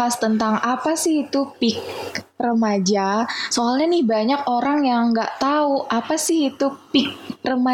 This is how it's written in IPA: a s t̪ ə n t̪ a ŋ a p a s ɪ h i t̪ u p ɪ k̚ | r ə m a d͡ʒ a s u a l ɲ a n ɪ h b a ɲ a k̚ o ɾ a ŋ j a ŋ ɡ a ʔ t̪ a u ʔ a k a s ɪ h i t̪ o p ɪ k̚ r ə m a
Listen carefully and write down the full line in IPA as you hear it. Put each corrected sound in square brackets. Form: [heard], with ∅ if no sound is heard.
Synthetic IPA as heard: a s t̪ ə n t̪ a ŋ a p a s ɪ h i t̪ u p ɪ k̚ | r ə m a d͡ʒ a s [o] a l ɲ a n ɪ h b a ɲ a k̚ o ɾ a ŋ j a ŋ ɡ a ʔ t̪ a u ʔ a [p] a s ɪ h i t̪ [u] p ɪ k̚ r ə m a